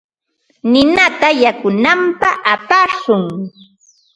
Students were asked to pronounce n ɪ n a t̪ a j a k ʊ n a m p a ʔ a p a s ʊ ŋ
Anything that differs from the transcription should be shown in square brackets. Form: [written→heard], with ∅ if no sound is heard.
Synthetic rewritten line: n ɪ n a t̪ a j a k ʊ n a m p a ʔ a p a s ʊ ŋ